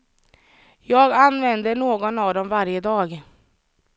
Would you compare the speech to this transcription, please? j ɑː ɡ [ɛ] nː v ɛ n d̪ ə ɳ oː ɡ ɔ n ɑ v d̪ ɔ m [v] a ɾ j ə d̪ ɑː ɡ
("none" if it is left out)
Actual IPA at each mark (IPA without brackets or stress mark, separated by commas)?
a, v